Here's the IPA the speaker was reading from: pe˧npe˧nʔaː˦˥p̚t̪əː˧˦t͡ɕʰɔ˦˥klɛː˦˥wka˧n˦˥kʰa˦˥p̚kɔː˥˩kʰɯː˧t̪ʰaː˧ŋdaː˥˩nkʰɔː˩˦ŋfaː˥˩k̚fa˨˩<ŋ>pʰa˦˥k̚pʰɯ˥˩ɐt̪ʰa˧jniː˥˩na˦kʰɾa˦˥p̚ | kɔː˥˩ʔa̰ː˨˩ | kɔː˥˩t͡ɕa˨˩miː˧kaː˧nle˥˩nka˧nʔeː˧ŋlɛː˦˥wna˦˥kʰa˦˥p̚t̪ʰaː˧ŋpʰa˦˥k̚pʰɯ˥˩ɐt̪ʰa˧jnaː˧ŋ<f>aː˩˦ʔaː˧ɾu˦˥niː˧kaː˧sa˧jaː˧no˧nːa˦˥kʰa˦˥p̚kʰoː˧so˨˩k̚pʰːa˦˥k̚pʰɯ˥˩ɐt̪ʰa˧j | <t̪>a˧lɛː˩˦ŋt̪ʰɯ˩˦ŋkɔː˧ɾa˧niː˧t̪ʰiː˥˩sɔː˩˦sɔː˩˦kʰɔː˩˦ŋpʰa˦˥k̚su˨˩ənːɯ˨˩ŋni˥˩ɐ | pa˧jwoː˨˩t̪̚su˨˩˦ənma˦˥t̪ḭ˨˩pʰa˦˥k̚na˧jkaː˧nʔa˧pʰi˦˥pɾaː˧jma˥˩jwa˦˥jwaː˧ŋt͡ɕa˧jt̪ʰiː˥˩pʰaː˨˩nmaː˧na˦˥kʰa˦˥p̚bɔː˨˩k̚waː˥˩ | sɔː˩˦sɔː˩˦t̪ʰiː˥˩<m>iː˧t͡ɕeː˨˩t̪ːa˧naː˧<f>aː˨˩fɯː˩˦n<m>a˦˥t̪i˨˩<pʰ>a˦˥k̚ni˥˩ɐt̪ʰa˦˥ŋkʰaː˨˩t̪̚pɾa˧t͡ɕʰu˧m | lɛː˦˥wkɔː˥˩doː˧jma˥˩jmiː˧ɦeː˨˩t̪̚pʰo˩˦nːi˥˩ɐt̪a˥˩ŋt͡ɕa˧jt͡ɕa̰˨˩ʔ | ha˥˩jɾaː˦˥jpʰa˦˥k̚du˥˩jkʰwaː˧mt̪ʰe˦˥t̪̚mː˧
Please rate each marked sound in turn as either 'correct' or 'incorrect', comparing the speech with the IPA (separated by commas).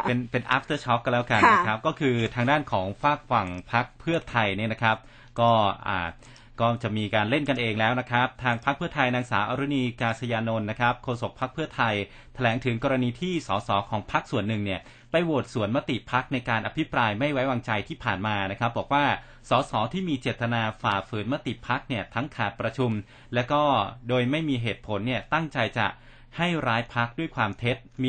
correct, incorrect, incorrect, correct, correct, correct, correct